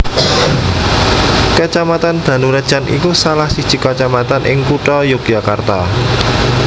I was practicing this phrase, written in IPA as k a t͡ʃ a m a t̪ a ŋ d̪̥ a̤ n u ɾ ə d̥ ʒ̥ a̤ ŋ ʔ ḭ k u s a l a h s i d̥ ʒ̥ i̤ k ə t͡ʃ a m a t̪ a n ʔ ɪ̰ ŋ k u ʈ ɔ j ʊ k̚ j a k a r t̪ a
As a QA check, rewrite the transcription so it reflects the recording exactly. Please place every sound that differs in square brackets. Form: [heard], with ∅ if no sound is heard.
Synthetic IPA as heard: k [ə] t͡ʃ a m a t̪ a [n] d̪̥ a̤ n u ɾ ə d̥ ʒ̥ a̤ [n] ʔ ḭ k u s a l a h s i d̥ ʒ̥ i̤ k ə t͡ʃ a m a t̪ a n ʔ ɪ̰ ŋ k u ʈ ɔ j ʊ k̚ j a k a r t̪ a